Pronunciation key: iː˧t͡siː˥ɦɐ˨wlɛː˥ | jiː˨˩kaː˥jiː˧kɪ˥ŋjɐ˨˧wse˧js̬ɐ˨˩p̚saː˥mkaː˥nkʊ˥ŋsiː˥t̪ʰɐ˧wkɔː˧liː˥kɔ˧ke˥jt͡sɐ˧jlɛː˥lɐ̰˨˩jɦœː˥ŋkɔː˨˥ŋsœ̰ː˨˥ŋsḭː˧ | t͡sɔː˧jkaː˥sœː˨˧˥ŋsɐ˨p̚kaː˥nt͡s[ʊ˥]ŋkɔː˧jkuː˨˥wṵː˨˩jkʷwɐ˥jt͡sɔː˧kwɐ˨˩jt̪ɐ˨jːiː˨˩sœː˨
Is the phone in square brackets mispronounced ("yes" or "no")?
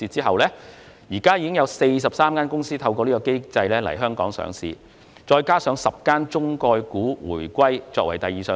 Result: no